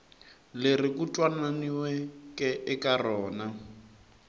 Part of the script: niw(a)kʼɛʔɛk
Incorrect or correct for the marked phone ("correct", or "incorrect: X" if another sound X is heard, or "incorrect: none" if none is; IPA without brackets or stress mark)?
incorrect: ɛ